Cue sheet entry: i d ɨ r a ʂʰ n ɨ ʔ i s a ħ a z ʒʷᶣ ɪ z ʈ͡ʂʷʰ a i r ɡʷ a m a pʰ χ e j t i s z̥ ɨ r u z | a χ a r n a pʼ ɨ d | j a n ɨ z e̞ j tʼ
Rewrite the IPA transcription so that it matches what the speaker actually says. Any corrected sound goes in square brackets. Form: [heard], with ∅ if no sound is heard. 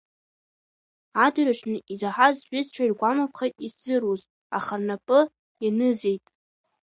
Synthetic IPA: [a] d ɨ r a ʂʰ n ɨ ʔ i [z] a ħ a z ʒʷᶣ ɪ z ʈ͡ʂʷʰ a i r ɡʷ a m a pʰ χ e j [tʼ] i s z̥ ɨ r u z | a χ a r n a pʼ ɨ [∅] | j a n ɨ z e̞ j tʼ